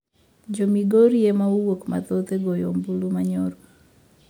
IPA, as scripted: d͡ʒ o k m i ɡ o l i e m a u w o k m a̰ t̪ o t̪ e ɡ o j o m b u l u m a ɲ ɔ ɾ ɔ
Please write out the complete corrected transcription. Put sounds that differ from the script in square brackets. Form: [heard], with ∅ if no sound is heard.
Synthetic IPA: d͡ʒ o [∅] m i ɡ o [ɾ] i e m a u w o k m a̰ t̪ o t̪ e ɡ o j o m b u l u m a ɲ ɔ ɾ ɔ